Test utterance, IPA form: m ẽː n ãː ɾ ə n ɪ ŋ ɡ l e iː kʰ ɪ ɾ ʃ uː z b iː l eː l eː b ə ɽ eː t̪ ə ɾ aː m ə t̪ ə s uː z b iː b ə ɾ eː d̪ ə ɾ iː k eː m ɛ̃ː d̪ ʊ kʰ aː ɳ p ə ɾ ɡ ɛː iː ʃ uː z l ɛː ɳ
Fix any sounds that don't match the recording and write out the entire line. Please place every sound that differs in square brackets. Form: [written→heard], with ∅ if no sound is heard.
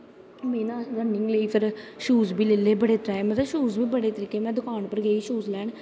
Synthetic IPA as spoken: m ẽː n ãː ɾ ə n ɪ ŋ ɡ l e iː [kʰ→pʰ] ɪ ɾ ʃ uː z b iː l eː l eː b ə ɽ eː t̪ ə ɾ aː m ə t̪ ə [s→ʃ] uː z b iː b ə [ɾ→ɽ] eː [d̪→t̪] ə ɾ iː k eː m ɛ̃ː d̪ ʊ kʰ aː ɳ p ə ɾ ɡ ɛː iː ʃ uː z l ɛː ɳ